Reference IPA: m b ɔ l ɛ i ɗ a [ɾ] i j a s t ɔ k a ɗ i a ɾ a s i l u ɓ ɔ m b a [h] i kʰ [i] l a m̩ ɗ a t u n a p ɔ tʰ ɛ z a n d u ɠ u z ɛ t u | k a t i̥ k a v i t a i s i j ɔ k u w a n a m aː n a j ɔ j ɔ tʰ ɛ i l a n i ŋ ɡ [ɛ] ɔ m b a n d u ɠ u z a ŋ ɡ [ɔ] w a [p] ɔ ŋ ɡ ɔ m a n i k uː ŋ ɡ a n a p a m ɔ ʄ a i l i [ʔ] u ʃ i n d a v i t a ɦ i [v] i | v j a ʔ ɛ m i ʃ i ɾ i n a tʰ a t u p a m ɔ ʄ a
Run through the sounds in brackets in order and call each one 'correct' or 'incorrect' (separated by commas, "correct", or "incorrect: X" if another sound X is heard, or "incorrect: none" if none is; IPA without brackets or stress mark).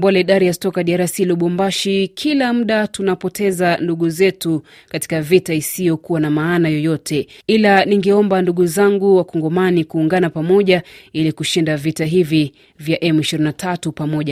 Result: correct, incorrect: ʃ, correct, correct, incorrect: u, incorrect: k, incorrect: k, correct